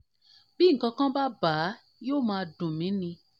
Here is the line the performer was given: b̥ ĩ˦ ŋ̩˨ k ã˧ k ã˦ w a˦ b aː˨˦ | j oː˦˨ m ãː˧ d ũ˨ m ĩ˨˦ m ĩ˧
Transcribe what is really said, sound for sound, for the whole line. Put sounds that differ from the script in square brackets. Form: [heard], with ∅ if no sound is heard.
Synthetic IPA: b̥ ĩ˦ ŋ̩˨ k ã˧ k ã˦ [b] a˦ b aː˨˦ | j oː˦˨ m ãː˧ d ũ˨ m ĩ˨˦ [n] ĩ˧